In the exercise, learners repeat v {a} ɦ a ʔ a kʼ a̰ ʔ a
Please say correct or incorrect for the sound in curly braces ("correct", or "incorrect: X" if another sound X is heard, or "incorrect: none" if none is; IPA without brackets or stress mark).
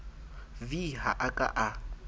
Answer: incorrect: i